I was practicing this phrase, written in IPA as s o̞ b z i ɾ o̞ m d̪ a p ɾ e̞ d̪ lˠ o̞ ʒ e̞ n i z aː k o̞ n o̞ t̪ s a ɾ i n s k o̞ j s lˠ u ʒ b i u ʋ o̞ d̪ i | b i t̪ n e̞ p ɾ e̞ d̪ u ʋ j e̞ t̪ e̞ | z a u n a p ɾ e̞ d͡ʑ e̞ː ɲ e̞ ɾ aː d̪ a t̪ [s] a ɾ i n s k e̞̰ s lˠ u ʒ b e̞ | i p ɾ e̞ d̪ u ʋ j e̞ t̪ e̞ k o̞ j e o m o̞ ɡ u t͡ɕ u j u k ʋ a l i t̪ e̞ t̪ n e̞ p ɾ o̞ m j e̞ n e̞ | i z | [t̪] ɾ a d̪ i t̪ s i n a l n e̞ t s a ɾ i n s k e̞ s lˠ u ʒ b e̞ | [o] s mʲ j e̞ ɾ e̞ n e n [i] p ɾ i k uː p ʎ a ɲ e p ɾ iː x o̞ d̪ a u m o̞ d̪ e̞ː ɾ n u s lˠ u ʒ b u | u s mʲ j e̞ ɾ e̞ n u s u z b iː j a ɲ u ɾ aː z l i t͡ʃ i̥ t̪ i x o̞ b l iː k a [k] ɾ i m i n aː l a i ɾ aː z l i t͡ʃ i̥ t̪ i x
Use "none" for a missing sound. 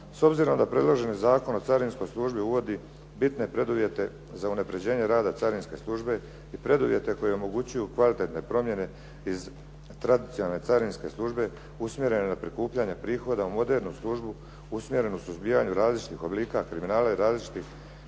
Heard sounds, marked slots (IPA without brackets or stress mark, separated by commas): s, t̪, u, a, k